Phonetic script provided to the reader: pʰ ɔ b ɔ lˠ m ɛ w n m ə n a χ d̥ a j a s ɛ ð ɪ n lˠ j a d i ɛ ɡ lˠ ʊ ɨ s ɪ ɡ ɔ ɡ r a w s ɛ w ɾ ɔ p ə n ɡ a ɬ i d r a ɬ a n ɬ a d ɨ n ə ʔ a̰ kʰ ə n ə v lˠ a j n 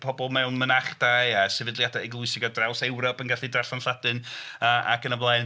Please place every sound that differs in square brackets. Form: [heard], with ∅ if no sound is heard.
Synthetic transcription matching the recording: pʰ ɔ b ɔ lˠ m ɛ w n m ə n a χ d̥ a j a s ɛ [v] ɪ [d] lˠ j a d [a] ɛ ɡ lˠ ʊ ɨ s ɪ ɡ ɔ [d] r a w s ɛ w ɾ ɔ p ə n ɡ a ɬ i d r a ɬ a n ɬ a d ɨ n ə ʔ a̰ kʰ ə n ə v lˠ a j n